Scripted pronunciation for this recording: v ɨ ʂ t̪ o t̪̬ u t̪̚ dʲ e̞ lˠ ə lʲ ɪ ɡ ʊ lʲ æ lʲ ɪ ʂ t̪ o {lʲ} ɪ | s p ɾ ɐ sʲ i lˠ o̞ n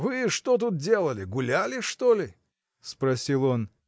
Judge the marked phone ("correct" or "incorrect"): correct